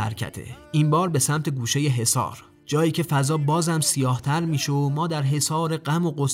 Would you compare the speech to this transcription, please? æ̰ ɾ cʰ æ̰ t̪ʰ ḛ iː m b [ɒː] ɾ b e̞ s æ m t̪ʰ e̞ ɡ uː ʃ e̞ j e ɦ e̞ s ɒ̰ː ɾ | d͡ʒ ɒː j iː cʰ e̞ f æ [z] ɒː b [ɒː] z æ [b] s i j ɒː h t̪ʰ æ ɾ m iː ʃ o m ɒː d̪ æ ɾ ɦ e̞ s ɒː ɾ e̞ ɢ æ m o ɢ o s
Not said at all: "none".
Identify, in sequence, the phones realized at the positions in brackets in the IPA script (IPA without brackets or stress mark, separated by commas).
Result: ɒː, z, ɒː, m